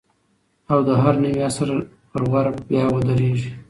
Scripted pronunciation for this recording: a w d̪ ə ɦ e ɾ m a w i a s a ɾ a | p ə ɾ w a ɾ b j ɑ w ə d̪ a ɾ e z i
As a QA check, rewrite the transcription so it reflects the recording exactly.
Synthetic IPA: a w d̪ ə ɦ a ɾ n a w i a s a ɾ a | p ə ɾ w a ɾ b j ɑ w ə d̪ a ɾ e ʒ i